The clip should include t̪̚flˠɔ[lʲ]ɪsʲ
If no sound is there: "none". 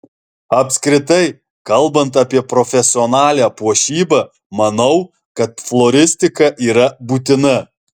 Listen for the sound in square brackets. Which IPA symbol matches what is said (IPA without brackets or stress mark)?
ɾʲ